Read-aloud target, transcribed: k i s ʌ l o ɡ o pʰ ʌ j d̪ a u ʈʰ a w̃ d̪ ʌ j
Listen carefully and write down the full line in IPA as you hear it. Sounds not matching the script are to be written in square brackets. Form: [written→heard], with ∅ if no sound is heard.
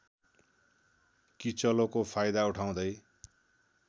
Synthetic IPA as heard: k i [s→t͡s] ʌ l o [ɡ→k] o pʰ [ʌ→a] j d̪ a u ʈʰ a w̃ d̪ ʌ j